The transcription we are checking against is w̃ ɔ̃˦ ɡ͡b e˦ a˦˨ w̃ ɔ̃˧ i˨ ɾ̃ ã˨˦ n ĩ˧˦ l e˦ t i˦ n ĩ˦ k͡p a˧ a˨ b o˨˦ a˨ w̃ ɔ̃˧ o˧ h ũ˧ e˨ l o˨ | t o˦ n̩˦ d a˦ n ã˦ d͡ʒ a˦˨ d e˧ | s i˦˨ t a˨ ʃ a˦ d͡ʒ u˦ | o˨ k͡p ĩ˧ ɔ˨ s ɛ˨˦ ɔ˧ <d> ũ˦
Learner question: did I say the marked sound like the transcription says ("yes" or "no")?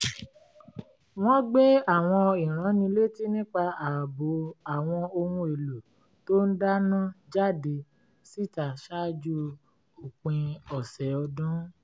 yes